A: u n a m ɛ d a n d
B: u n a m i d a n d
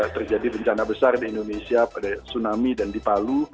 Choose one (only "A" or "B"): B